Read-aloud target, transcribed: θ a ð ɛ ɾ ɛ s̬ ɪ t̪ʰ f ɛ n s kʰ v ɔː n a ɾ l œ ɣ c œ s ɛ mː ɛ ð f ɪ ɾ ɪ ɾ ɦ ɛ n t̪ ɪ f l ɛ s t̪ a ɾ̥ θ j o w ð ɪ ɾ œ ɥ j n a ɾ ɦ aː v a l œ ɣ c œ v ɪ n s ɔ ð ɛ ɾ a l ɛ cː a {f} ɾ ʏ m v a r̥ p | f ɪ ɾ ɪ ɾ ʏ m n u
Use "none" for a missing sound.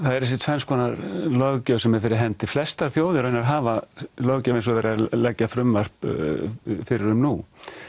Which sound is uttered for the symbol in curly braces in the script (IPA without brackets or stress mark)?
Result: f